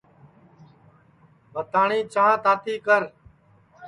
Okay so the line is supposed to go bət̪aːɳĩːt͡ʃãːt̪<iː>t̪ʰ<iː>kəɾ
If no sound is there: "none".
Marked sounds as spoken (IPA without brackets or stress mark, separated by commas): aː, iː